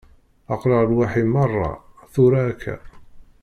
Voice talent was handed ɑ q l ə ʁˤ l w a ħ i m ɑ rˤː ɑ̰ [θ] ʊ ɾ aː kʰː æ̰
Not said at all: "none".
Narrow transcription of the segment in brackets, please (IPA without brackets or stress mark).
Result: θ